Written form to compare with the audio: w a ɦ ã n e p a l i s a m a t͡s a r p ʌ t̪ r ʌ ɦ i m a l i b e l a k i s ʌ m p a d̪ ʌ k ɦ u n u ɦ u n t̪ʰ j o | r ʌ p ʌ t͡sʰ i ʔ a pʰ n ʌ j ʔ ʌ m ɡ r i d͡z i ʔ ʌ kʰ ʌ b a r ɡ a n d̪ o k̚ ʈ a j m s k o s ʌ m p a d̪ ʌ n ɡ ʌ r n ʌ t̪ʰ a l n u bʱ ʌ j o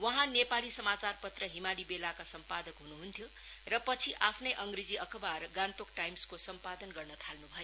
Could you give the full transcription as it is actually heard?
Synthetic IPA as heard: w ʌ ɦ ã n e p a l i s ʌ m a t͡s a r p ʌ t̪ r ʌ ɦ i m a l i b e l a k a s ʌ m p a d̪ ʌ k ɦ u n u ɦ u n t̪ʰ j o | r ʌ p ʌ t͡sʰ i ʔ a pʰ n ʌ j ʔ ʌ ŋ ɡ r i d͡z i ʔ ʌ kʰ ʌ b a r ɡ a n t̪ o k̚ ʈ a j m s k o s ʌ m p a d̪ ʌ n ɡ ʌ r n ʌ t̪ʰ a l n u bʱ ʌ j o